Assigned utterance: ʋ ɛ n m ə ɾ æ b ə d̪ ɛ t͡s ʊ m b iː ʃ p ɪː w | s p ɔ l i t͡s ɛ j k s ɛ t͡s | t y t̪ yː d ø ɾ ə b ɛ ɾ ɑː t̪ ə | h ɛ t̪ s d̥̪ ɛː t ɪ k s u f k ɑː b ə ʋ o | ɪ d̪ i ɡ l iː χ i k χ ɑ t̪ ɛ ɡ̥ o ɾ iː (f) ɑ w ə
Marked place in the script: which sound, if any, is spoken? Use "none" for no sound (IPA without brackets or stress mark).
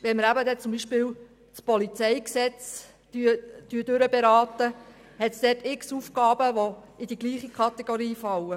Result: f